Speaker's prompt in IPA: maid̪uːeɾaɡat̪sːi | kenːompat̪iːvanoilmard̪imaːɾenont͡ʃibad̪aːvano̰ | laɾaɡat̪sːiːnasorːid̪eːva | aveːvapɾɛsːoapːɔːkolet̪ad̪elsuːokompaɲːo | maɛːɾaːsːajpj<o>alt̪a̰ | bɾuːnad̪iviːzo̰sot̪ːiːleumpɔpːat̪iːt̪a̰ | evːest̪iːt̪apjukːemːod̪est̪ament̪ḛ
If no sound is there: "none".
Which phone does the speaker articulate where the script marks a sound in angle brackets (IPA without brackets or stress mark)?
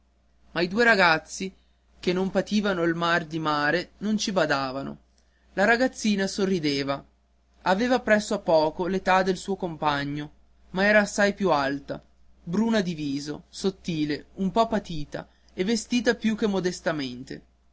u